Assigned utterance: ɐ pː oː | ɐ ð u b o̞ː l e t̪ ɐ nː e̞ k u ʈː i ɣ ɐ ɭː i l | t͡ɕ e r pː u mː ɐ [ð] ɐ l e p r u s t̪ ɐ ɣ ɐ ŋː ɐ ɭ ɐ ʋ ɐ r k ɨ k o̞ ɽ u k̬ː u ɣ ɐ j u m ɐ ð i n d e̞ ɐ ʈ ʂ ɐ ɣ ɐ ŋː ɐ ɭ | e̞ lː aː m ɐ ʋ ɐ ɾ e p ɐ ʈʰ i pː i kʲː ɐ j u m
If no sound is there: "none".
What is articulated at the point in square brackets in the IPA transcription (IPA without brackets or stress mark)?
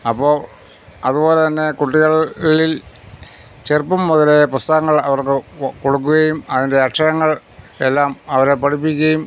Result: ð